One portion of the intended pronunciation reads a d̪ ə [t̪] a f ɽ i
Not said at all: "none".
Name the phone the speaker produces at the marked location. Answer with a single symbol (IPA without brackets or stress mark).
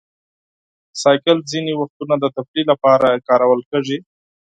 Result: t̪